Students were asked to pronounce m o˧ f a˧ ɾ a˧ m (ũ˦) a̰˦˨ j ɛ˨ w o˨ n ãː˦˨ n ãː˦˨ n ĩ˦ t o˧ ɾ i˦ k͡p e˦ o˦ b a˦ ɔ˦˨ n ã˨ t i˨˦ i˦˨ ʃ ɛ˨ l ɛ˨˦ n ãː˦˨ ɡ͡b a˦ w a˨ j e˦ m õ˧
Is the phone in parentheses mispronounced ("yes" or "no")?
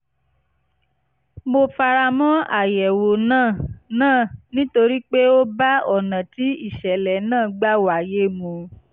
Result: yes